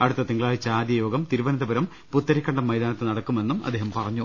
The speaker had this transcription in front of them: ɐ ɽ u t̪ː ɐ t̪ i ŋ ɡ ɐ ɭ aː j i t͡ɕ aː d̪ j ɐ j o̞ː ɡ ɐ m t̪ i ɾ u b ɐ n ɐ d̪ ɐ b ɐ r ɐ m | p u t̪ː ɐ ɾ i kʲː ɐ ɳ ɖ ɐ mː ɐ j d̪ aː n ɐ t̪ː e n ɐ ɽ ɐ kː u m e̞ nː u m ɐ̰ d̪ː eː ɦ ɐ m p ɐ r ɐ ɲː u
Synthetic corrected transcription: ɐ ɽ u t̪ː ɐ t̪ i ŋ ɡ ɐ ɭ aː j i t͡ɕ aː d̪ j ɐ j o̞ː ɡ ɐ m t̪ i ɾ u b ɐ n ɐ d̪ ɐ b ɐ ɾ ɐ m | p u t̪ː ɐ ɾ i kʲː ɐ ɳ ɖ ɐ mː ɐ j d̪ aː n ɐ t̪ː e n ɐ ɽ ɐ kː u m e̞ nː u m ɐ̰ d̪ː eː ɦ ɐ m p ɐ r ɐ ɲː u

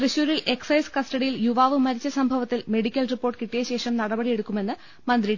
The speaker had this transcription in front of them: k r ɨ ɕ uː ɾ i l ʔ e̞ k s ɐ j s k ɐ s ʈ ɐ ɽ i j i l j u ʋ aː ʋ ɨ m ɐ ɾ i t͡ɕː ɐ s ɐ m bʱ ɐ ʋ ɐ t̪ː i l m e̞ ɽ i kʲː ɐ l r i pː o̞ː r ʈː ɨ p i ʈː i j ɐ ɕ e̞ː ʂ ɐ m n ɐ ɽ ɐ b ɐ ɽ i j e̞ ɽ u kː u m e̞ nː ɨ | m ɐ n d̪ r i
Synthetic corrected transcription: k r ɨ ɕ uː ɾ i l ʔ e̞ k s ɐ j s k ɐ s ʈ ɐ ɽ i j i l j u ʋ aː ʋ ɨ m ɐ ɾ i t͡ɕː ɐ s ɐ m bʱ ɐ ʋ ɐ t̪ː i l m e̞ ɽ i kʲː ɐ l r i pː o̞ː r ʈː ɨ k i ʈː i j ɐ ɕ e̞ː ʂ ɐ m n ɐ ɽ ɐ b ɐ ɽ i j e̞ ɽ u kː u m e̞ nː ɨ | m ɐ n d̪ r i

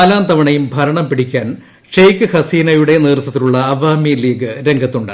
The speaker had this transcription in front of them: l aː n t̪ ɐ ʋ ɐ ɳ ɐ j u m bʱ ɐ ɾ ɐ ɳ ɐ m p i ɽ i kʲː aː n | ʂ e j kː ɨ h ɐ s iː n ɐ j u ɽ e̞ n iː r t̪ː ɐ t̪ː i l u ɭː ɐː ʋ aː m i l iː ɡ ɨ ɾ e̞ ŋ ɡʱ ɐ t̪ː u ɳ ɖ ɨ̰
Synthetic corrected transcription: l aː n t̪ ɐ ʋ ɐ ɳ ɐ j u m bʱ ɐ ɾ ɐ ɳ ɐ m p i ɽ i kʲː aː n | ʂ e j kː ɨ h ɐ s iː n ɐ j u ɽ e̞ n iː r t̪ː ɐ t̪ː i l u ɭː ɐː ʋ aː m i l iː ɡ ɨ ɾ e̞ ŋ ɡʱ ɐ t̪ː u ɳ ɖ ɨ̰

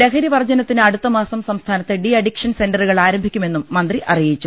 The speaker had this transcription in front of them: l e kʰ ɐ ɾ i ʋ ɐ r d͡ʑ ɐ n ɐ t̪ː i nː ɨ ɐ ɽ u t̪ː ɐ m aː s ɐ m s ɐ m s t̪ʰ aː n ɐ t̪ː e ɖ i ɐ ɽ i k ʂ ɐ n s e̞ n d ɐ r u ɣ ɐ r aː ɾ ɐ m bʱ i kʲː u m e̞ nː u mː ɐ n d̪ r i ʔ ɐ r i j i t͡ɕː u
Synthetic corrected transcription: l e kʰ ɐ ɾ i ʋ ɐ r d͡ʑ ɐ n ɐ t̪ː i n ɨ ɐ ɽ u t̪ː ɐ m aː s ɐ m s ɐ m s t̪ʰ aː n ɐ t̪ː e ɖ i ɐ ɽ i k ʂ ɐ n s e̞ n d ɐ r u ɣ ɐ ɭ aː ɾ ɐ m bʱ i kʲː u m e̞ nː u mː ɐ n d̪ r i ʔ ɐ r i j i t͡ɕː u

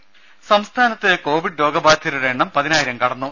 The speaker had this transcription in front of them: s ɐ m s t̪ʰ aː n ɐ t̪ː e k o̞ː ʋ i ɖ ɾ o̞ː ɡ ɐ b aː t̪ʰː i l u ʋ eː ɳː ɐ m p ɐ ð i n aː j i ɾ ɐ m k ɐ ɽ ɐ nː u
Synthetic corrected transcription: s ɐ m s t̪ʰ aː n ɐ t̪ː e k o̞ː ʋ i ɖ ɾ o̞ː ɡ ɐ b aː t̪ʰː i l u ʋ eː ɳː ɐ m p ɐ ð i n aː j i ɾ ɐ m k ɐ ɽ ɐ nː u

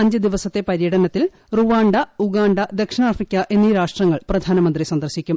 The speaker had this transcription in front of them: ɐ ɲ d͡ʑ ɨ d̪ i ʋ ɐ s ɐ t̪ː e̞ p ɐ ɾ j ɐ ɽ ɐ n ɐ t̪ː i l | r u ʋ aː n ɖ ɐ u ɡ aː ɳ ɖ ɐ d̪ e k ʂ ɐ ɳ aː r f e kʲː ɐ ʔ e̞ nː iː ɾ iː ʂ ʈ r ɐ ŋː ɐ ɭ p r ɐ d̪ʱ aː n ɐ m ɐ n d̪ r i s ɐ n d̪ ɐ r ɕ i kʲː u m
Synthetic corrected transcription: ɐ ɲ d͡ʑ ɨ d̪ i ʋ ɐ s ɐ t̪ː e̞ p ɐ ɾ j ɐ ɽ ɐ n ɐ t̪ː i l | r u ʋ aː ɳ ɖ ɐ u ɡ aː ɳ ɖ ɐ d̪ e k ʂ ɐ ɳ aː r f i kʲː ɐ ʔ e̞ nː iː ɾ aː ʂ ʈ r ɐ ŋː ɐ ɭ p r ɐ d̪ʱ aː n ɐ m ɐ n d̪ r i s ɐ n d̪ ɐ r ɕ i kʲː u m

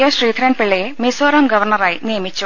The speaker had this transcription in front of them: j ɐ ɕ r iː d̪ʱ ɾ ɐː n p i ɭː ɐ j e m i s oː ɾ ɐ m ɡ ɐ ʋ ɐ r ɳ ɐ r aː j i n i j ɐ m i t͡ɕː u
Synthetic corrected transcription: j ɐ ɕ r iː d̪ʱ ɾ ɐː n p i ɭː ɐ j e m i s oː ɾ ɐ m ɡ ɐ ʋ ɐ r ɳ ɐ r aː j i n i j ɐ m i t͡ɕː u

